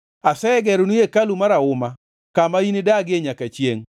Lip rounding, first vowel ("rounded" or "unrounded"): unrounded